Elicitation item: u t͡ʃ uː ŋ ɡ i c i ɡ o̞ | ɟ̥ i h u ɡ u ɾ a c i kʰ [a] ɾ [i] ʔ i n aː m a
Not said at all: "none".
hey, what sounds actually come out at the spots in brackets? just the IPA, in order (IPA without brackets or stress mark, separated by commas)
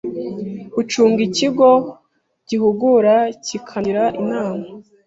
a, a